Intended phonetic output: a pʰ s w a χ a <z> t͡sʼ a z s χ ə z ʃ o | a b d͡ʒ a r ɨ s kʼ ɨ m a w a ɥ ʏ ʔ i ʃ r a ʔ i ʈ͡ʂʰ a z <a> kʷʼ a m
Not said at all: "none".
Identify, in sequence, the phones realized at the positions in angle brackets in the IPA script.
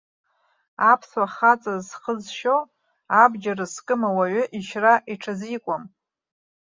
none, i

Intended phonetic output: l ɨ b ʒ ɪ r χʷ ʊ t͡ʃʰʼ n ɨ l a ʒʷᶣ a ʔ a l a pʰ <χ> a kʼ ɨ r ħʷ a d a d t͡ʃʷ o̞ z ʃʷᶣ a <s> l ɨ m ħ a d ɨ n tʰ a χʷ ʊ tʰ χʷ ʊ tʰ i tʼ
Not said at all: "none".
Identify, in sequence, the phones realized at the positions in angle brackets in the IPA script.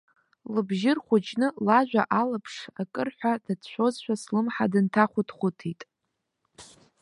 ʂ, s

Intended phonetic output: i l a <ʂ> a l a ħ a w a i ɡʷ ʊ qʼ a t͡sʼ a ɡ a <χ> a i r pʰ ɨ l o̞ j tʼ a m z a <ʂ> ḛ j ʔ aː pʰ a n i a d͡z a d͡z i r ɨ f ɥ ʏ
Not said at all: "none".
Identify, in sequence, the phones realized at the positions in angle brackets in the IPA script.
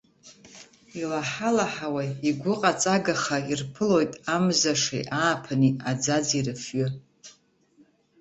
ħ, χ, ʂ

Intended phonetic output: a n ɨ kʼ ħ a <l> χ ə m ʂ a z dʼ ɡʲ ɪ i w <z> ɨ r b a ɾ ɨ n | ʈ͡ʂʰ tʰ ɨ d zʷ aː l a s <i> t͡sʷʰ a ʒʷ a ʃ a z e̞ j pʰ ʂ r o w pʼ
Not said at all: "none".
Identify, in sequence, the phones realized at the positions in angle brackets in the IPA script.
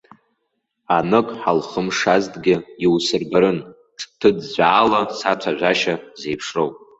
l, s, a

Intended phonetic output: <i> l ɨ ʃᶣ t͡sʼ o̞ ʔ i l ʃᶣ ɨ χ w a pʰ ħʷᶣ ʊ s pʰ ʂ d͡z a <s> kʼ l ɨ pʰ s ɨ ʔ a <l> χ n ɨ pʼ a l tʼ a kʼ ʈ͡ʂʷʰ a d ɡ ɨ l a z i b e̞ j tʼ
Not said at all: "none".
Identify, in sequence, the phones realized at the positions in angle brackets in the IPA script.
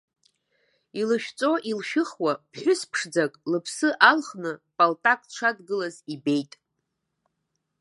i, none, l

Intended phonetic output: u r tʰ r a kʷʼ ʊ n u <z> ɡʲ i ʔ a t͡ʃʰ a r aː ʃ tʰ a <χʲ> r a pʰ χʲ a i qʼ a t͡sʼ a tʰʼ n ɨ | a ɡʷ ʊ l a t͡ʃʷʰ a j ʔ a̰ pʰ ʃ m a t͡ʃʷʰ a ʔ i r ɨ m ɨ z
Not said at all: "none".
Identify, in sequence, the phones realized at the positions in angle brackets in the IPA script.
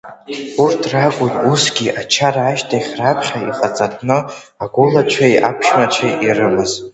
s, χʲ

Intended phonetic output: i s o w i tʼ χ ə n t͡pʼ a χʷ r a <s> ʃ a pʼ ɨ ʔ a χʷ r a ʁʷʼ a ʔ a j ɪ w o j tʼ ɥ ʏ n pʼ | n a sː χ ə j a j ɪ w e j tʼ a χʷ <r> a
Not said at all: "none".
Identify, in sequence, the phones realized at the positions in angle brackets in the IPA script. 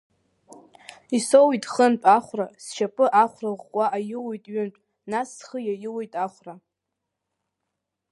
s, r

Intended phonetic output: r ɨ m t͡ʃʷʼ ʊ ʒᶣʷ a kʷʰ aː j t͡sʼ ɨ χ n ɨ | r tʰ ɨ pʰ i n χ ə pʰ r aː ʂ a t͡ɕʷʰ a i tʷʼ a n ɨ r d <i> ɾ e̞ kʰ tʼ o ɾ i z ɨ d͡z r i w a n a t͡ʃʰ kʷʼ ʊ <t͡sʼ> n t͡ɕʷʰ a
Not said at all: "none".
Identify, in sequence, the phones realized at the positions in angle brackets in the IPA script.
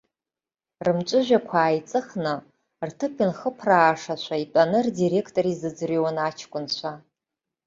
i, none

